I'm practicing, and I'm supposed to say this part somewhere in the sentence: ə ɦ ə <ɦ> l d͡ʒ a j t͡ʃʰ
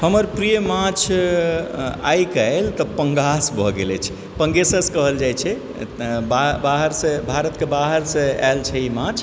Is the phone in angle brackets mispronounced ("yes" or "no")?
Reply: yes